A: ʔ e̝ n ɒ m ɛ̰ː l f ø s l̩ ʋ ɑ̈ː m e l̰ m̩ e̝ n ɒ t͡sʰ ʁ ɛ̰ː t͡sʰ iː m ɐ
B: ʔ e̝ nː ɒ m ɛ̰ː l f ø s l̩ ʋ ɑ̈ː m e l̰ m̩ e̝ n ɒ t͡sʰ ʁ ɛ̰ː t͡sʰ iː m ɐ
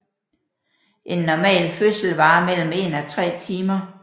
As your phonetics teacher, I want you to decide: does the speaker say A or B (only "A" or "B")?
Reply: B